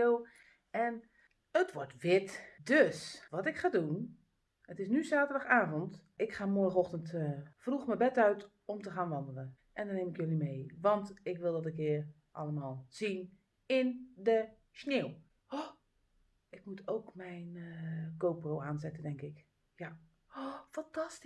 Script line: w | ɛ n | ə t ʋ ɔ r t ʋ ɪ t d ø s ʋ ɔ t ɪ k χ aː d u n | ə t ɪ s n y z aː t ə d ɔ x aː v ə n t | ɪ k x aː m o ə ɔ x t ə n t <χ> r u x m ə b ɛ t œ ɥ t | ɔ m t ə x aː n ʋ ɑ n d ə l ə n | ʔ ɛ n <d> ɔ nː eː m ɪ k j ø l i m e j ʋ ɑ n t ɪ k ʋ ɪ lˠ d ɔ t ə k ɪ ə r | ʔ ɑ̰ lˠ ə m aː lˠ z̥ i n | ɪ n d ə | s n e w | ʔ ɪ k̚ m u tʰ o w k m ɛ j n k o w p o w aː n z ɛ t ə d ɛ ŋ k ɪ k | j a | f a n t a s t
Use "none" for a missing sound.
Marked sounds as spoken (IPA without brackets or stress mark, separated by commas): f, d